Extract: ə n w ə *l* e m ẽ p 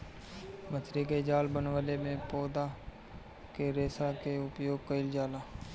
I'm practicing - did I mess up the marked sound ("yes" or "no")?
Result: no